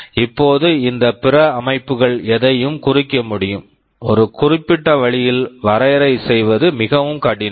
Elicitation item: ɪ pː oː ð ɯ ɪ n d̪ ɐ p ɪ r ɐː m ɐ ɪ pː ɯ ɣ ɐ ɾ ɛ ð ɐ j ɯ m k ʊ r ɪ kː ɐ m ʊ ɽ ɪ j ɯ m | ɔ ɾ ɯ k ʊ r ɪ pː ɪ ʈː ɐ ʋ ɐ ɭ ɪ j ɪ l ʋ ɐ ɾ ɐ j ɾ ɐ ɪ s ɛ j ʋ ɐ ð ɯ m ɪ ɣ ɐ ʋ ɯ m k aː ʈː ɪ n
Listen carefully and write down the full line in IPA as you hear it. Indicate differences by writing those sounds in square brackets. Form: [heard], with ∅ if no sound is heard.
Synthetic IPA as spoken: ɪ pː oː ð ɯ ɪ n d̪ ɐ p ɪ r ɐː m ɐ ɪ pː ɯ ɣ ɐ [ɭ] ɛ ð ɐ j ɯ m k ʊ r ɪ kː ɐ m ʊ ɽ ɪ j ɯ m | ɔ ɾ ɯ k ʊ r ɪ pː ɪ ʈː ɐ ʋ ɐ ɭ ɪ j ɪ l ʋ ɐ ɾ ɐ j ɾ ɐ ɪ s ɛ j ʋ ɐ ð ɯ m ɪ ɣ ɐ ʋ ɯ m k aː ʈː ɪ n